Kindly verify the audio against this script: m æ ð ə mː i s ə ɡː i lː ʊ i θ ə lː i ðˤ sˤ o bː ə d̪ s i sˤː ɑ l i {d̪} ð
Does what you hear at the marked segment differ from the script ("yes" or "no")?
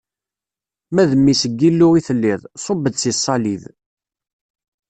yes